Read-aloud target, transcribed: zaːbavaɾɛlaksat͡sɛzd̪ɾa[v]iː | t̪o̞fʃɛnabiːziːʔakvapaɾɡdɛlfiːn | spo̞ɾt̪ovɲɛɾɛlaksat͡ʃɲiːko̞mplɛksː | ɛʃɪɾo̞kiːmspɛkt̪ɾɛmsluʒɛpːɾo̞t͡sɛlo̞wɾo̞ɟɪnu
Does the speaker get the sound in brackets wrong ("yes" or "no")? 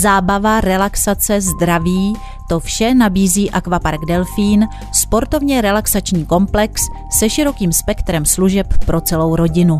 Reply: no